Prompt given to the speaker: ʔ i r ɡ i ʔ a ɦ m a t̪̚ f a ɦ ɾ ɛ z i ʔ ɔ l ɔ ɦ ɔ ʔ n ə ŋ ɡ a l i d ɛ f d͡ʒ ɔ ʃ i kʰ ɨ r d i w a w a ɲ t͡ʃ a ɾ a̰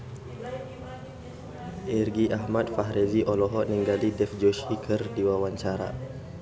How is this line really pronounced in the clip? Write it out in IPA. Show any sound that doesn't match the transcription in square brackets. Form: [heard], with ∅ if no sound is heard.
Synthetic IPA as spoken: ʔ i r ɡ i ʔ a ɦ m a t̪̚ f a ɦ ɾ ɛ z i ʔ ɔ l ɔ ɦ ɔ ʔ n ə ŋ ɡ a l i d ɛ f d͡ʒ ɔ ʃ i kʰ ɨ r d i w a w a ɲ t͡ʃ a ɾ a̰

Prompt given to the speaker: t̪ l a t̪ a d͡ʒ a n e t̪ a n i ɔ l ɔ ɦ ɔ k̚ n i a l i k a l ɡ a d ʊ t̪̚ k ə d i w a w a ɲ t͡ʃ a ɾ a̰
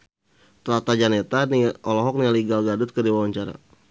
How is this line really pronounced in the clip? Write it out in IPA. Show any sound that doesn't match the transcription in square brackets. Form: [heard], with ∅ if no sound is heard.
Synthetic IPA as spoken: t̪ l a t̪ a d͡ʒ a n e t̪ a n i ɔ l ɔ ɦ ɔ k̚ n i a l i [ɡ] a l ɡ a d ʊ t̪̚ k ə d i w a w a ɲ t͡ʃ a ɾ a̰

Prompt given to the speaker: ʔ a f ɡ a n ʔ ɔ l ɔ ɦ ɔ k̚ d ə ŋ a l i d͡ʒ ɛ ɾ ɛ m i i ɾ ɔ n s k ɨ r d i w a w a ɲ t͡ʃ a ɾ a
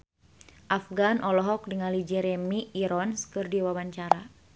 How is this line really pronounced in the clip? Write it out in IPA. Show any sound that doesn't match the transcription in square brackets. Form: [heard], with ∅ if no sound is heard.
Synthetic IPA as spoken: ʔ a f ɡ a n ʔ ɔ l ɔ ɦ ɔ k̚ d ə ŋ a l i d͡ʒ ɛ ɾ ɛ m i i ɾ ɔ n s k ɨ r d i w a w a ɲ t͡ʃ a ɾ a

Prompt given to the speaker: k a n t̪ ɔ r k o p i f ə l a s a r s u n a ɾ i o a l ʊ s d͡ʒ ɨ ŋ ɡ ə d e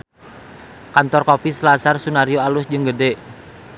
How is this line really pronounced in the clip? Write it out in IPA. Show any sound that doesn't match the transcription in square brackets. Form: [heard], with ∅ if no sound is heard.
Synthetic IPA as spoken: k a n t̪ ɔ r k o p i [s] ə l a s a r s u n a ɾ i o a l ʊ s d͡ʒ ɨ ŋ ɡ ə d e

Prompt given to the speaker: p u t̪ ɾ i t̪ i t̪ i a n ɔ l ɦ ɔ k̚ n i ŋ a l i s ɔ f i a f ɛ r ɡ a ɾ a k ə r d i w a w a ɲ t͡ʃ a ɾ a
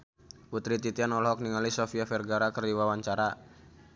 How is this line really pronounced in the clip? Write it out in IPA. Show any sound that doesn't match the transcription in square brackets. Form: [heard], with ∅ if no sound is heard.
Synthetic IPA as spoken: p u t̪ ɾ i t̪ i t̪ i a n ɔ l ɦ ɔ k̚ n i ŋ a l i s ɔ f i a f ɛ r ɡ a ɾ a k ə r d i w a w a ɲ t͡ʃ a ɾ a

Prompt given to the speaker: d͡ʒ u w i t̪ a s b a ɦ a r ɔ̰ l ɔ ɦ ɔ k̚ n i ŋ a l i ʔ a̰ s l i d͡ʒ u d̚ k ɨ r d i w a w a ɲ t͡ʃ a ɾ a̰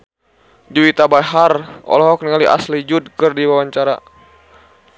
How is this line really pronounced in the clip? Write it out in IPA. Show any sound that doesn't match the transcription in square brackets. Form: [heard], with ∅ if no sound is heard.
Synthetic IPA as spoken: d͡ʒ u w i t̪ a [∅] b a ɦ a r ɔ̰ l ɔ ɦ ɔ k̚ n i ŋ a l i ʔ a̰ s l i d͡ʒ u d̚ k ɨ r d i w a w a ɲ t͡ʃ a ɾ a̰

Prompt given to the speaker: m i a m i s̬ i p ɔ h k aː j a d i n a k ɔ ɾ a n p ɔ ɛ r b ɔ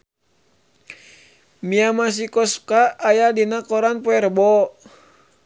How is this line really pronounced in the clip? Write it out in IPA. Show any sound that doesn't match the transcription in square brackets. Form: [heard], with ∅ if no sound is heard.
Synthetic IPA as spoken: m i a m [a] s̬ i [k] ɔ [s] k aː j a d i n a k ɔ ɾ a n p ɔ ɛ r b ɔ

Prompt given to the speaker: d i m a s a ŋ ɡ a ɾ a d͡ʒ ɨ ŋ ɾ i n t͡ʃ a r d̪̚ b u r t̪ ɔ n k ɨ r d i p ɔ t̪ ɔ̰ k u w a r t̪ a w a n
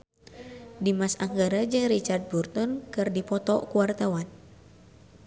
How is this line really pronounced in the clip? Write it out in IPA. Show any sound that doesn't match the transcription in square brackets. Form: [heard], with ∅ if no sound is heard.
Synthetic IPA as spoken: d i m a s a ŋ ɡ a ɾ a d͡ʒ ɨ ŋ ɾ i [∅] t͡ʃ a r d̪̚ b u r t̪ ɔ n k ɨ r d i p ɔ t̪ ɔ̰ k u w a r t̪ a w a n

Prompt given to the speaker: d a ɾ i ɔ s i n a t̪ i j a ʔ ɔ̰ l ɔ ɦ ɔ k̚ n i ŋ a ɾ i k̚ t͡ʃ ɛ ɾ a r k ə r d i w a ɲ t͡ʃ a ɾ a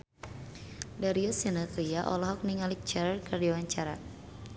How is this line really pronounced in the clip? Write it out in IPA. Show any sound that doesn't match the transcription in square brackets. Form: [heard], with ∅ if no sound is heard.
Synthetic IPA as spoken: d a ɾ i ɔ s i n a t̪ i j a ʔ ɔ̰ l ɔ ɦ ɔ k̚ n i ŋ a [l] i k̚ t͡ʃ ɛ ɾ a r k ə r d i w a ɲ t͡ʃ a ɾ a

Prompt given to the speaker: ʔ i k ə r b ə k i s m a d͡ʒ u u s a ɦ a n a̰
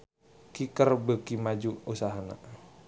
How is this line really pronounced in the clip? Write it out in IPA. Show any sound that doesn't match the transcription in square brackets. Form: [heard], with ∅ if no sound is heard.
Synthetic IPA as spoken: [k] i k ə r b ə k i [∅] m a d͡ʒ u u s a ɦ a n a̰

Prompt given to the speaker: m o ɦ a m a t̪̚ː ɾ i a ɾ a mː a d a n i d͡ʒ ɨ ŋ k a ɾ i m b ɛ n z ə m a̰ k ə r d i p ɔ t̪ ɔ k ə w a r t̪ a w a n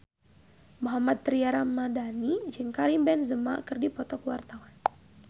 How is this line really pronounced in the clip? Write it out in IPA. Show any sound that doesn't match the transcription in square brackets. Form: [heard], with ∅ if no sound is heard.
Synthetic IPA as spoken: m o ɦ a m a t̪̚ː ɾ i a ɾ a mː a d a n i d͡ʒ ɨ ŋ k a ɾ i m b ɛ n z ə m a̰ k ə r d i p ɔ t̪ ɔ k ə w a r t̪ a w a n

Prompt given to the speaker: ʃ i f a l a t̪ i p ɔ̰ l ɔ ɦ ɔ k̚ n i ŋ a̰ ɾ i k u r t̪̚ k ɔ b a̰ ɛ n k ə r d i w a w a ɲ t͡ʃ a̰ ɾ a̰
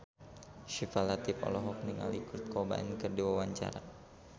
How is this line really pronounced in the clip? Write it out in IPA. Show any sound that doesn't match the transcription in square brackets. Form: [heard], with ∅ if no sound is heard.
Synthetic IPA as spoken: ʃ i f a l a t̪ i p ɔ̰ l ɔ ɦ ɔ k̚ n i ŋ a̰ [l] i k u r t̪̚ k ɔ b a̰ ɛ n k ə r d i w a w a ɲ t͡ʃ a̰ ɾ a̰

